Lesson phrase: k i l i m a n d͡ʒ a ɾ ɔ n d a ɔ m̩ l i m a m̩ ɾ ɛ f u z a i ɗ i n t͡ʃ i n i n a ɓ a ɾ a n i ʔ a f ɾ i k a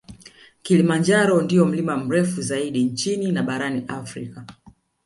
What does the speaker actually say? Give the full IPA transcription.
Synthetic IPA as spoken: k i l i m a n d͡ʒ a ɾ ɔ n d i ɔ m̩ l i m a m̩ ɾ ɛ f u z a i ɗ i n t͡ʃ i n i n a ɓ a ɾ a n i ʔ a f ɾ i k a